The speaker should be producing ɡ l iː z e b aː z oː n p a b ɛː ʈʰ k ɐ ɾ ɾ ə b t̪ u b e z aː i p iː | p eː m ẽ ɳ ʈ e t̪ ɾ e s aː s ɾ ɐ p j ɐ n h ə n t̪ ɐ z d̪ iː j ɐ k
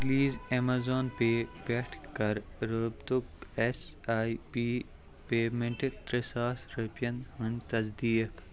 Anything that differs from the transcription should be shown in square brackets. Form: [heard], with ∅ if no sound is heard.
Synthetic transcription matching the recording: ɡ l iː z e [m] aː z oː n p [e] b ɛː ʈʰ k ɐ ɾ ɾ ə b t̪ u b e [s] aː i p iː | p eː m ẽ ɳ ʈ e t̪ ɾ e s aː s ɾ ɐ p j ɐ n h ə n t̪ ɐ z d̪ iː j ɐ k